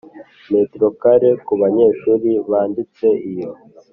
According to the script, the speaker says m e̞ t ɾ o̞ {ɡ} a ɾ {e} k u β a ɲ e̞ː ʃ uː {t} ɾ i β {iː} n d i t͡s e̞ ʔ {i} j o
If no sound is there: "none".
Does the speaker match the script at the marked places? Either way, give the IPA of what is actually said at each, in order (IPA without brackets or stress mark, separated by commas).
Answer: k, e, none, aː, i